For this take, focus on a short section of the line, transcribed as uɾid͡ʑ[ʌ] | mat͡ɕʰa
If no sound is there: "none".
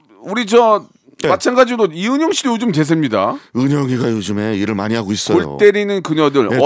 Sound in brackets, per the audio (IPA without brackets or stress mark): ʌ